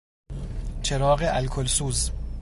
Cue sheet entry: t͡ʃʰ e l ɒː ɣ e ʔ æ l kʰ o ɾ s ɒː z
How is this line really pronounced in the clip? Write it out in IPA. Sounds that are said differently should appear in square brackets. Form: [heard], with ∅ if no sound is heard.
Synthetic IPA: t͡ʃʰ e [ɾ] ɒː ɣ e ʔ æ l kʰ o [l] s [uː] z